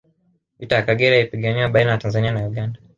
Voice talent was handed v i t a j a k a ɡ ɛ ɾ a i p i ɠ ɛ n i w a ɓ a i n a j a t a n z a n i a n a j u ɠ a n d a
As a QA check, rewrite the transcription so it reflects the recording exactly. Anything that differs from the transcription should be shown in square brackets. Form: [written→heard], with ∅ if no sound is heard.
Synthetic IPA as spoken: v i t a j a k a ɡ ɛ ɾ a i p i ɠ [ɛ→a] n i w a ɓ a i n a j a t a n z a n i a n a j u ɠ a n d a